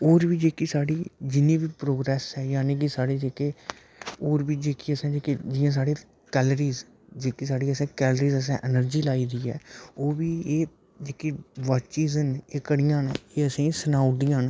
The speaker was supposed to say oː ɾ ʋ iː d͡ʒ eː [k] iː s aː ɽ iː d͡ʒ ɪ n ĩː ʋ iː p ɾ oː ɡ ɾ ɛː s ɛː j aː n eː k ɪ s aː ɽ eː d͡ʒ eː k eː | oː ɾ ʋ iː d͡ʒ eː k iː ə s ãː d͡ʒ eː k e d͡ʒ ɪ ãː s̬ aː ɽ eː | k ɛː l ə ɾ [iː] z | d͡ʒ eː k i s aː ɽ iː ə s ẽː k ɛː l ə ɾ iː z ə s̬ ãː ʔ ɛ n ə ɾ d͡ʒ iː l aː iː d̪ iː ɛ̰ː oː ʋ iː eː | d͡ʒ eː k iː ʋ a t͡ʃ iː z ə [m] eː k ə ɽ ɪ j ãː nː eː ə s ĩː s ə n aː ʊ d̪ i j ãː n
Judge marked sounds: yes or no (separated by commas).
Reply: yes, yes, no